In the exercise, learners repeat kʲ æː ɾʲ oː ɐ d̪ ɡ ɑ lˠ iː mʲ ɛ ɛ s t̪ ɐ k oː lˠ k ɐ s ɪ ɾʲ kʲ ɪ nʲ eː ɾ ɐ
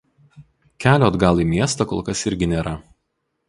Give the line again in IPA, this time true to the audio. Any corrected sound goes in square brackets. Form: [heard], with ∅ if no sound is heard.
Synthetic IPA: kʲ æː [lʲ] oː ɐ d̪ ɡ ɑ lˠ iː mʲ [i] ɛ s t̪ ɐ k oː lˠ k ɐ s ɪ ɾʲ [ɡʲ] ɪ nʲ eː ɾ ɐ